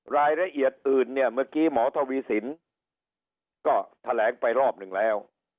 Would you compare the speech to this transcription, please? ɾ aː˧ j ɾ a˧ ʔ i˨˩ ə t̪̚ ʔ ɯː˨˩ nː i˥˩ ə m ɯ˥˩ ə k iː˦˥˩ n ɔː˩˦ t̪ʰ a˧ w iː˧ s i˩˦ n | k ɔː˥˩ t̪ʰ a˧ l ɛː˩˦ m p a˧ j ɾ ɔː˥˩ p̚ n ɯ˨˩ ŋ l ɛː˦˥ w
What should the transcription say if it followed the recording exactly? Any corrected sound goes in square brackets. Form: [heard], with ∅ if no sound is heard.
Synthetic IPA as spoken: ɾ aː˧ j ɾ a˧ ʔ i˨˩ ə t̪̚ ʔ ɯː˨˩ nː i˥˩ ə m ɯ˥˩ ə k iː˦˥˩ [m] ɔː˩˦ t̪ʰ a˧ w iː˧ s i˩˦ n | k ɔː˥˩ t̪ʰ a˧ l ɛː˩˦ [ŋ] p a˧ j ɾ ɔː˥˩ p̚ n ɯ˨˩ ŋ l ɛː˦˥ w